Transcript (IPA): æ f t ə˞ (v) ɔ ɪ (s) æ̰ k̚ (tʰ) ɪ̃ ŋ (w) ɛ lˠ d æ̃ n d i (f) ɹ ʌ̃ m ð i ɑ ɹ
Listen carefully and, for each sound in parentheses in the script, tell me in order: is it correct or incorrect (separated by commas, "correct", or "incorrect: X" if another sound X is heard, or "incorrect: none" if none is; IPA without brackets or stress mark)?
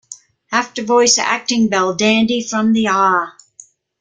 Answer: correct, correct, incorrect: t, incorrect: b, correct